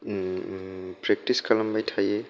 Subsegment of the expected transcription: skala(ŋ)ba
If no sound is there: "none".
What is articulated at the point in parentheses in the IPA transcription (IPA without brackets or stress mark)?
m